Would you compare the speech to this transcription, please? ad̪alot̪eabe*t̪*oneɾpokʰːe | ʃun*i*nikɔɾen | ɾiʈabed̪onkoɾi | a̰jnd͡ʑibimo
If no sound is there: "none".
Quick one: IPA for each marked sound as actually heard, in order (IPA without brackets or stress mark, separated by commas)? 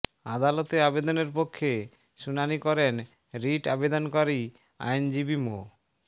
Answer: d̪, a